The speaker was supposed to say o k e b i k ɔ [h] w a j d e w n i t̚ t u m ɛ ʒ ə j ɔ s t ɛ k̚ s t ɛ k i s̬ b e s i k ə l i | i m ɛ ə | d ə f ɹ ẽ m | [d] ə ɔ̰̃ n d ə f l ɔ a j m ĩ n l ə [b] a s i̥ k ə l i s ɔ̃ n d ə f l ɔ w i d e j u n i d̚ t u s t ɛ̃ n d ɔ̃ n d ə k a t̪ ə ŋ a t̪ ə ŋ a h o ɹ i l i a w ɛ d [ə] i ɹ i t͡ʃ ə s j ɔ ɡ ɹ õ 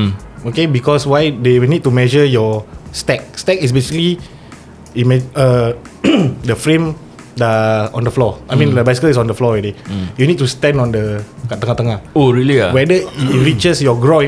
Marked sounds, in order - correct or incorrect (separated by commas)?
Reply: incorrect, correct, correct, correct